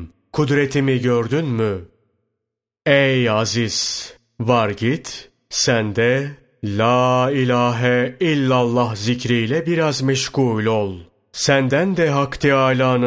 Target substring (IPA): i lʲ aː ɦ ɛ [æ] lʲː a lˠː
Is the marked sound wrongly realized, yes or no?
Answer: yes